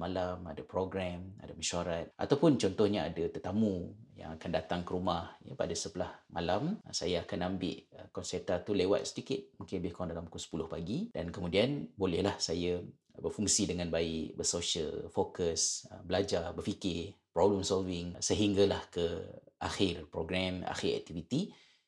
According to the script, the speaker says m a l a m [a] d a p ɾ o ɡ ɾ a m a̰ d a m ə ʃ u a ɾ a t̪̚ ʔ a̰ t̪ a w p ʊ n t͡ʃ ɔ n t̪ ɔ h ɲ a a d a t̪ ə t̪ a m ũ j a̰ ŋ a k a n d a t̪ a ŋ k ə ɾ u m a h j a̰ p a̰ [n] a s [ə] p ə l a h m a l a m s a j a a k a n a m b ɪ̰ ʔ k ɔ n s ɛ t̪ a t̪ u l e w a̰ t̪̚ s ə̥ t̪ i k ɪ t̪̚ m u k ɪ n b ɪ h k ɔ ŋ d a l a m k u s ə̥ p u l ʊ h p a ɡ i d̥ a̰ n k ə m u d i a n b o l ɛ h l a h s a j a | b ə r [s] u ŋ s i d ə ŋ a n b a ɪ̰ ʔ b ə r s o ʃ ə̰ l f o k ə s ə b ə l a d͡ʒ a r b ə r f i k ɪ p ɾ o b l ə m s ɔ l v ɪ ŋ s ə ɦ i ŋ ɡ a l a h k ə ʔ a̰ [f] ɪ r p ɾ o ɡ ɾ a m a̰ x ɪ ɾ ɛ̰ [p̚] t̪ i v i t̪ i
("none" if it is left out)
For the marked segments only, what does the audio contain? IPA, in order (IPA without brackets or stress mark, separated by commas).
a, d, ə, f, x, k̚